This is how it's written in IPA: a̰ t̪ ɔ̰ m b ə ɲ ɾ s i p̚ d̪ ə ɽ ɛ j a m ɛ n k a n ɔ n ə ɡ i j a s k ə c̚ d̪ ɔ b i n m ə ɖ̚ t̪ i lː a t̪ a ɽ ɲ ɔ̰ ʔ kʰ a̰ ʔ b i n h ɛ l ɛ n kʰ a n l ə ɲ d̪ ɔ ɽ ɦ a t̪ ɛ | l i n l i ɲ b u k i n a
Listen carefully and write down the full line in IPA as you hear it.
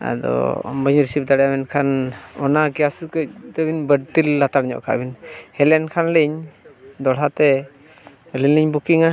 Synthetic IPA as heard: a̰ d̪ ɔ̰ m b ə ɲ ɾ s i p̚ d̪ a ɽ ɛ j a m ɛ n kʰ a n ɔ n a ɡ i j a s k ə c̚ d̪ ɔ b i n b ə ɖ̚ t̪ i lː a t̪ a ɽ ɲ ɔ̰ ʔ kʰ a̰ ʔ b i n h ɛ l ɛ n kʰ a n l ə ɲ d̪ ɔ ɽ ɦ a t̪ ɛ | l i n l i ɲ b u k i ŋ a